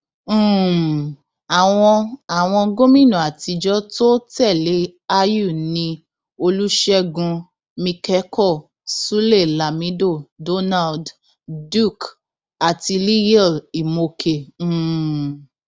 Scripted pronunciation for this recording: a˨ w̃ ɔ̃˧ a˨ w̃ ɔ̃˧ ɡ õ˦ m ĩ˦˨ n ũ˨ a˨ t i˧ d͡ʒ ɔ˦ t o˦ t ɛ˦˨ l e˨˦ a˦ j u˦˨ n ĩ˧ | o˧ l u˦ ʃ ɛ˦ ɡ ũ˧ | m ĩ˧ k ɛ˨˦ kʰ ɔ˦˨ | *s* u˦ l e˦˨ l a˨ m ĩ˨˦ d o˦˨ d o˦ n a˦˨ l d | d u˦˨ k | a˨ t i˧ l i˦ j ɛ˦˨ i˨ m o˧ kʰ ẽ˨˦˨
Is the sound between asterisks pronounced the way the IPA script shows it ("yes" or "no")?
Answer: yes